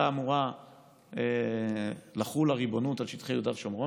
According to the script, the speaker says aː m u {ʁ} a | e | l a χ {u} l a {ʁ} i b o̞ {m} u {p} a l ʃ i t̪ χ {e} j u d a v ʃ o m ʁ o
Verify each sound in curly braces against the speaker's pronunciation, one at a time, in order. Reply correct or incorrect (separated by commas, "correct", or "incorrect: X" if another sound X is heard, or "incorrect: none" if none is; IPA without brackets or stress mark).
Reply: correct, correct, correct, incorrect: n, incorrect: t, correct